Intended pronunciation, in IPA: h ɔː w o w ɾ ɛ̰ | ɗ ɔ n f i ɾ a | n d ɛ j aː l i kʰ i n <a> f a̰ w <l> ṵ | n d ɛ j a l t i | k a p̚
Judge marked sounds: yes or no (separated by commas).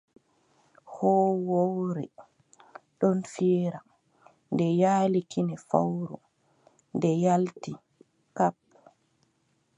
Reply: no, no